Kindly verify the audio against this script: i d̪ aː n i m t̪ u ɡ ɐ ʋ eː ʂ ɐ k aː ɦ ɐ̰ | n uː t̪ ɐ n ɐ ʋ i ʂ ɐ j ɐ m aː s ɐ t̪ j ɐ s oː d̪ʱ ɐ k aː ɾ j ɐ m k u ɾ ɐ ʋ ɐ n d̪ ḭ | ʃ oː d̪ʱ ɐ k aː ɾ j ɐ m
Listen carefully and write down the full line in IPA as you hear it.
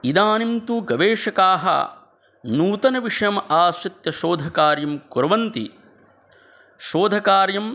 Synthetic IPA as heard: i d̪ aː n i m t̪ u ɡ ɐ ʋ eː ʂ ɐ k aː ɦ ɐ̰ | n uː t̪ ɐ n ɐ ʋ i ʂ ɐ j ɐ m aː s ɐ t̪ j ɐ ʃ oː d̪ʱ ɐ k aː ɾ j ɐ m k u ɾ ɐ ʋ ɐ n t̪ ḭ | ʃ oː d̪ʱ ɐ k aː ɾ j ɐ m